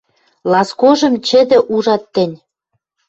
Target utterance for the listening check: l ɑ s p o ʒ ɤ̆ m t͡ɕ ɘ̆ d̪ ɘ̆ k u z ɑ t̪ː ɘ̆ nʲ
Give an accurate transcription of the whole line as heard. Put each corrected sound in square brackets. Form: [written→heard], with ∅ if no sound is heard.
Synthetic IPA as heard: l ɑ s [p→k] o ʒ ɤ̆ m t͡ɕ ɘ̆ d̪ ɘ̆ [k→ʔ] u [z→ʒ] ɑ t̪ː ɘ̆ nʲ

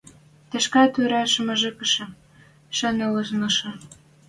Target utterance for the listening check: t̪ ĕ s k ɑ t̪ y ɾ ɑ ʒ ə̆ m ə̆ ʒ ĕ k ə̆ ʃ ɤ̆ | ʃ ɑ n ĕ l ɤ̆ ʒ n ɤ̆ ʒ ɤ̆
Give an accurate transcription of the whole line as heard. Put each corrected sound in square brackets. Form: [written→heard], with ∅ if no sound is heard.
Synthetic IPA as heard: t̪ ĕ [s→ʃ] k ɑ t̪ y ɾ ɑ [ʒ→ʃ] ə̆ m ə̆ ʒ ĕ k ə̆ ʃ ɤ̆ | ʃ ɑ n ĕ l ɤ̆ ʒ n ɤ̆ [ʒ→ʃ] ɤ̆

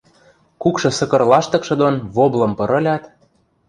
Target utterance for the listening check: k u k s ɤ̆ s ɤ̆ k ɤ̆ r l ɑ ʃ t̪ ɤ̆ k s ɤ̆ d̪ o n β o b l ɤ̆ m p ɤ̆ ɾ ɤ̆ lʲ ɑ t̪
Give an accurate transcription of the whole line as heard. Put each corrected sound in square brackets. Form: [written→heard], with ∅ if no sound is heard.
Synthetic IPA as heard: k u k [s→ʃ] ɤ̆ s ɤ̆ k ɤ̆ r l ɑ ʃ t̪ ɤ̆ k [s→ʃ] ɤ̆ d̪ o n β o b l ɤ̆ m p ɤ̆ ɾ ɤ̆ lʲ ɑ t̪

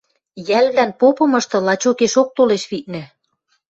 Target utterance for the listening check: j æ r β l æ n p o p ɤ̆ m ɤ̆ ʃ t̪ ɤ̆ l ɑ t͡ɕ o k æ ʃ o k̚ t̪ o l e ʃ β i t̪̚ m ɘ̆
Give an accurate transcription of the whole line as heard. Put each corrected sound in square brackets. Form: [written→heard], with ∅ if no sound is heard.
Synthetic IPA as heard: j æ [r→l] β l æ n p o p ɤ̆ m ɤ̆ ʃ t̪ ɤ̆ l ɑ t͡ɕ o k [æ→e] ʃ o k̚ t̪ o l e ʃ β i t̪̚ [m→n] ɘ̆

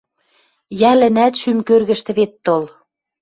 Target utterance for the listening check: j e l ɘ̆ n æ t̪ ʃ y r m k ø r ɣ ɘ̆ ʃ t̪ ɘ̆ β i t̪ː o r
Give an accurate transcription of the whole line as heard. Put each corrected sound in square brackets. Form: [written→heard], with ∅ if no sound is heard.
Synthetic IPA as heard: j [e→æ] l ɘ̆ n æ t̪ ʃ y [r→∅] m k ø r ɣ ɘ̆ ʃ t̪ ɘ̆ β [i→e] t̪ː o [r→l]

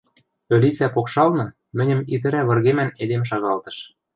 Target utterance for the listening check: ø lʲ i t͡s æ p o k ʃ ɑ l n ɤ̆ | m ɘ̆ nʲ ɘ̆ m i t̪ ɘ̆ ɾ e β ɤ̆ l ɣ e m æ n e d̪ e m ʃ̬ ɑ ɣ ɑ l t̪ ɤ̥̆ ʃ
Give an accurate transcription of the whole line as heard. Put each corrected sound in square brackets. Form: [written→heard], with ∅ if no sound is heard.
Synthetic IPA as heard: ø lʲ i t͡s æ p o k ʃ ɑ l n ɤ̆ | m ɘ̆ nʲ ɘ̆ m i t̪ ɘ̆ ɾ [e→æ] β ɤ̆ [l→r] ɣ e m æ n e d̪ e m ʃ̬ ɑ ɣ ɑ l t̪ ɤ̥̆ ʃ

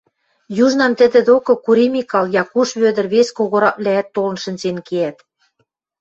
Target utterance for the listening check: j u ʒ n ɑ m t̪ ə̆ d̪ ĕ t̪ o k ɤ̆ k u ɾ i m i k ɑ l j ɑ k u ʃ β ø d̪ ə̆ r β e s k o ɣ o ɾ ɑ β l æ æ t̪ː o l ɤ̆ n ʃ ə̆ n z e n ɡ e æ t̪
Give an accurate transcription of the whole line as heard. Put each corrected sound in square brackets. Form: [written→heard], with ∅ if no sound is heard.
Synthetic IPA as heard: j u ʒ n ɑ m t̪ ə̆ d̪ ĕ [t̪→d̪] o k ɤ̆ k u ɾ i m i k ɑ l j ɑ k u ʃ β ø d̪ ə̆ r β e s k o ɣ o ɾ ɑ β l æ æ t̪ː o l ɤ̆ n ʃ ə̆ n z e n [ɡ→k] e æ t̪

